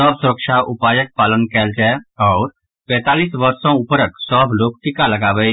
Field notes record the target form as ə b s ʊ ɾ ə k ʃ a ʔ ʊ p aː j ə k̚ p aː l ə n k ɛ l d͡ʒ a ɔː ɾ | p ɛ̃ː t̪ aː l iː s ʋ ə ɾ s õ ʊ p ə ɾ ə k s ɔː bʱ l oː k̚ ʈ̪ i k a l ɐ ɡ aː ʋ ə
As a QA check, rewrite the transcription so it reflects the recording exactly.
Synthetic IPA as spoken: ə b s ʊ ɾ ə k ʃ a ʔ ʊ p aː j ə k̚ p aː l ə n k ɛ l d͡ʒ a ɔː ɾ | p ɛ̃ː t̪ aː l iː s ʋ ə ɾ s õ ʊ p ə ɾ ə k s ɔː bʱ l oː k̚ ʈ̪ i k a l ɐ ɡ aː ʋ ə